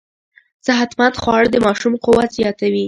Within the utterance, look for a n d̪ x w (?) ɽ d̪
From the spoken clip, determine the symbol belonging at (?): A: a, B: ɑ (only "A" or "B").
B